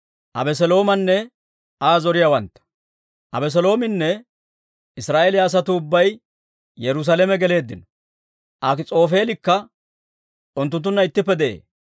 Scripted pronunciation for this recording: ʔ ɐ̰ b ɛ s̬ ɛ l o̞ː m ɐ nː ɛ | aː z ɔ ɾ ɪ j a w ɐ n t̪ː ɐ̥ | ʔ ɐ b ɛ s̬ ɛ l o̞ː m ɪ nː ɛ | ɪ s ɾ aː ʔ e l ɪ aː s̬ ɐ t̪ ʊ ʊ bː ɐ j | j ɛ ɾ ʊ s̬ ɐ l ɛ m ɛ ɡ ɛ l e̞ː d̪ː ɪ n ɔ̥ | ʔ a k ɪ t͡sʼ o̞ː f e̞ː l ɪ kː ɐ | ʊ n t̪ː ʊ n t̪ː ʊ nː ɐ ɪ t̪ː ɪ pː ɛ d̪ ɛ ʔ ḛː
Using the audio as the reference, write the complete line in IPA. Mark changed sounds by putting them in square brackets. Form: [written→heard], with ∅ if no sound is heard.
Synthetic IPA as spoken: ʔ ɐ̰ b ɛ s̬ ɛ l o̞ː m ɐ nː ɛ | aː z ɔ ɾ ɪ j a w ɐ n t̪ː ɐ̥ | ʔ ɐ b ɛ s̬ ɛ l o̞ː m ɪ nː ɛ | ɪ s ɾ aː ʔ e l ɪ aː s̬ ɐ t̪ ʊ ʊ bː ɐ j | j ɛ ɾ ʊ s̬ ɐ l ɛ m ɛ ɡ ɛ l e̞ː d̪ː ɪ n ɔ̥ | ʔ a k ɪ t͡sʼ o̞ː f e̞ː l ɪ kː ɐ | ʊ n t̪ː ʊ n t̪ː ʊ nː ɐ ɪ t̪ː ɪ pː ɛ d̪ ɛ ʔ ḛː